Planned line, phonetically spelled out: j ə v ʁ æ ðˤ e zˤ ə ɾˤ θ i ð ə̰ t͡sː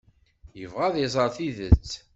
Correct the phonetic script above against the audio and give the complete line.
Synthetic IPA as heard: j ə v ʁ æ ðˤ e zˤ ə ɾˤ θ i ð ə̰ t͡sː